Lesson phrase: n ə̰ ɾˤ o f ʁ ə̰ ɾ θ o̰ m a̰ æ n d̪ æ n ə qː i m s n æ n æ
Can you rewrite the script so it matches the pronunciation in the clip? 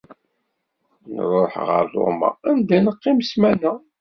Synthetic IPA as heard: n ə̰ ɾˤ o ħ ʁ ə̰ ɾ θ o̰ m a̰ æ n d̪ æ n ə qː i m s m æ n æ